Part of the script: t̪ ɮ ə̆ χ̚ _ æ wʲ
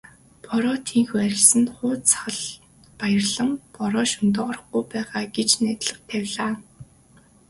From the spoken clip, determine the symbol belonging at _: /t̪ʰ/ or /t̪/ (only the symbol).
t̪ʰ